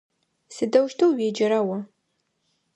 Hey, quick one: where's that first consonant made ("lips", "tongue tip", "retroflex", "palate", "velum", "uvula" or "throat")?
tongue tip